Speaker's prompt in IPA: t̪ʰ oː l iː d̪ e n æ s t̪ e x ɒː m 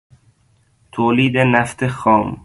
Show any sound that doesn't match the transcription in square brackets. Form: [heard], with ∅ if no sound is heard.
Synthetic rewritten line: t̪ʰ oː l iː d̪ e n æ [f] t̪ e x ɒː m